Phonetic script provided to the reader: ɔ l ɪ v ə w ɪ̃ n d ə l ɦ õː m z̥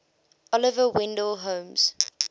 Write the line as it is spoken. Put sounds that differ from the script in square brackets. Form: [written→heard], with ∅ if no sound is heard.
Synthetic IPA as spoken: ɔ l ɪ v ə w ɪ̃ n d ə l ɦ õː m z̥

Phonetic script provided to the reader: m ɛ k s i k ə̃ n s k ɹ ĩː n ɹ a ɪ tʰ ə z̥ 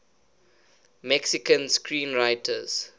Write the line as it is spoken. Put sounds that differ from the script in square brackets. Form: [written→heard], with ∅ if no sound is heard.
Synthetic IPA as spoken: m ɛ k s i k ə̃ n s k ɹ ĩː n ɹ a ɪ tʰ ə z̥

